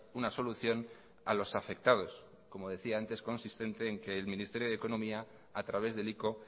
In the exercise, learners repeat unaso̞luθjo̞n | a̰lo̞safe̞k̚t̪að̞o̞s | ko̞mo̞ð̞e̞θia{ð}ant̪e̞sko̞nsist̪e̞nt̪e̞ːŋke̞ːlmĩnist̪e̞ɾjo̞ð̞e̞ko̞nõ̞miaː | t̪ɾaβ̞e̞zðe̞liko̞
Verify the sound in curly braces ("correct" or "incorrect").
incorrect